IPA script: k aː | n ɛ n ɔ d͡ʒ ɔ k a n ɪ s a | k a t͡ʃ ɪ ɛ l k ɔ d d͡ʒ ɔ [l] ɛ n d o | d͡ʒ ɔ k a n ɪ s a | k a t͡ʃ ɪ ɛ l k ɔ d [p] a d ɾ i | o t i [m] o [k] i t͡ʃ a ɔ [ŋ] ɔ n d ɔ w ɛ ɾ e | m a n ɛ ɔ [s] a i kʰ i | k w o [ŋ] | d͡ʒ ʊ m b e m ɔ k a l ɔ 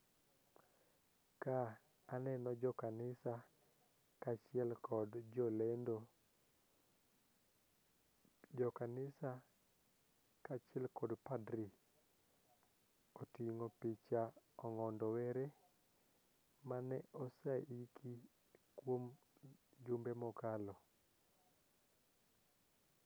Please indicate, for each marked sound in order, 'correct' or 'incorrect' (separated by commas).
correct, correct, incorrect, incorrect, correct, correct, incorrect